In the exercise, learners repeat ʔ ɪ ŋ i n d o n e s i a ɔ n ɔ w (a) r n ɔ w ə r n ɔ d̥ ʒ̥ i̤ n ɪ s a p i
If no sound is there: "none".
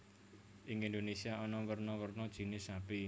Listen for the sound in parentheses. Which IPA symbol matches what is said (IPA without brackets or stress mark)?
ə